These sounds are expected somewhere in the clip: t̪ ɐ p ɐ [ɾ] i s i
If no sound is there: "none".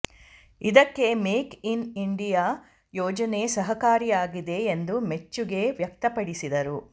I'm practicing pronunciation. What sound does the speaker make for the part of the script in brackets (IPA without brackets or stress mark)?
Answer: ɽ